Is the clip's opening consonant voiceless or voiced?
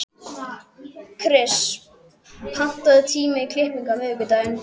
voiceless